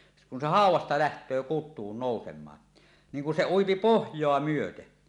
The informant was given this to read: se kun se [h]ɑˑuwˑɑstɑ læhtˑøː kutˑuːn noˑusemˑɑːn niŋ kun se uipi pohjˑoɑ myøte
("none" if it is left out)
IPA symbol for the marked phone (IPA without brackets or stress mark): h